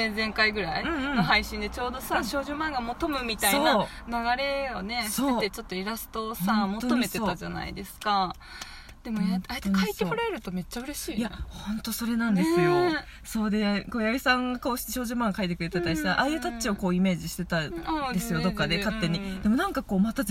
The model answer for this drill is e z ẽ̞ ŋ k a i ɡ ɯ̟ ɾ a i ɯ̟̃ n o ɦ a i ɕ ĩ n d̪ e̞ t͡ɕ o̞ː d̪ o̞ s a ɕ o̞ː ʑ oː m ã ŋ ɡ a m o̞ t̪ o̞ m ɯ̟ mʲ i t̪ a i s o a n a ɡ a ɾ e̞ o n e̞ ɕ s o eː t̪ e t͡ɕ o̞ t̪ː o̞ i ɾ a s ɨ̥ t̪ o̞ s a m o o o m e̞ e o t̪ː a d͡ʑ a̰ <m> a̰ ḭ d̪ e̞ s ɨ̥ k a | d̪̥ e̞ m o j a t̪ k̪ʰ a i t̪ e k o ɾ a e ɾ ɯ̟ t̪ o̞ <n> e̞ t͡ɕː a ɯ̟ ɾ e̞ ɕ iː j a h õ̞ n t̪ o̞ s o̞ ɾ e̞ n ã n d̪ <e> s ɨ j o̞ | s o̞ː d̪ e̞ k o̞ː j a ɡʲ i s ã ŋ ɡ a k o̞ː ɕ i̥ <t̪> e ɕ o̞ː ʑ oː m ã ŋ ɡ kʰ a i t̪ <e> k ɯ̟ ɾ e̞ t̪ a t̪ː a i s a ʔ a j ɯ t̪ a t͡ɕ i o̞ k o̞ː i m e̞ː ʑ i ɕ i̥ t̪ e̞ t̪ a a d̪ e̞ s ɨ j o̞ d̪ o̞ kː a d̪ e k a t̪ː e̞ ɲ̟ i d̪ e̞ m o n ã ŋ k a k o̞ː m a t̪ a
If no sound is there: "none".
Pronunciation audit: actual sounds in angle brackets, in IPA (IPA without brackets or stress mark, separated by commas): n, m, e, t̪, e